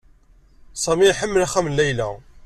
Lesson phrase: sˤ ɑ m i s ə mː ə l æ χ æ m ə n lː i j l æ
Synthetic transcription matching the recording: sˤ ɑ m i ħ ə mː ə l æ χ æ m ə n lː æ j l æ